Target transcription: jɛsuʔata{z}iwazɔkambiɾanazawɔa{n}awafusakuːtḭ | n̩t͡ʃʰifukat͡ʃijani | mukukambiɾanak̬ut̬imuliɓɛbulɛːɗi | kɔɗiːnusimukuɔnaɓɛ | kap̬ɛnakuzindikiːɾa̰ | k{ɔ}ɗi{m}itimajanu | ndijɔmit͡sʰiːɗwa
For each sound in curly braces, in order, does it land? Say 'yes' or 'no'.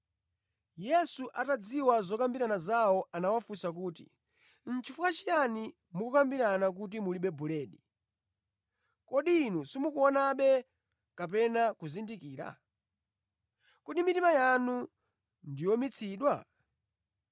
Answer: no, yes, no, yes

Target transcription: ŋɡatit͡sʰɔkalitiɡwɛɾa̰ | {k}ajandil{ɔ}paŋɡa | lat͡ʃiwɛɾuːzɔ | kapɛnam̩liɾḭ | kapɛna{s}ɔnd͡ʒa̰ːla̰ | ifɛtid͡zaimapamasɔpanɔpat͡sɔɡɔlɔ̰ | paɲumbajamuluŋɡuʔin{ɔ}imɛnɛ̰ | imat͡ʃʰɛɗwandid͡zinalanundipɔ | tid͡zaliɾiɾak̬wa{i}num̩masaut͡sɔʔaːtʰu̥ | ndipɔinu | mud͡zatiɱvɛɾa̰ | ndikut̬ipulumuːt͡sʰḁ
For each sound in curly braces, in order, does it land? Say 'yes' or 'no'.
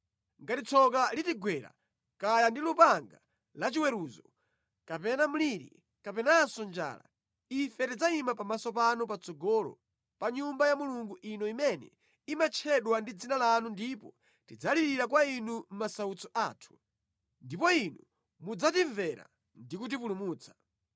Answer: yes, no, yes, yes, yes

